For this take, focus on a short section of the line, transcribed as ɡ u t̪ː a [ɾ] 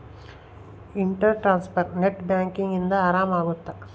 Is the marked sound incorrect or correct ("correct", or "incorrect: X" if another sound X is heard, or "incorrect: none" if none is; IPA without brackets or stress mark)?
incorrect: none